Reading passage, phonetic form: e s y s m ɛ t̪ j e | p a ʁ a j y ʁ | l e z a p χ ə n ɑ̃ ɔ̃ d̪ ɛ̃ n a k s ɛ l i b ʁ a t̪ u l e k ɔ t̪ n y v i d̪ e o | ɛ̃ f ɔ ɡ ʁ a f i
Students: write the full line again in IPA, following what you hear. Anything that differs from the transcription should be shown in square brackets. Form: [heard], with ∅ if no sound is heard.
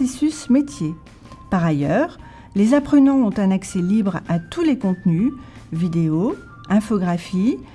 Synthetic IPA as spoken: e s y s m [e] t̪ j e | p a ʁ a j [œ] ʁ | l e z a p χ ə n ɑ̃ ɔ̃ [t̪] ɛ̃ n a k s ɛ l i b ʁ a t̪ u l e k [ɔ̃] t̪ n y v i d̪ e o | ɛ̃ f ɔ ɡ ʁ a f i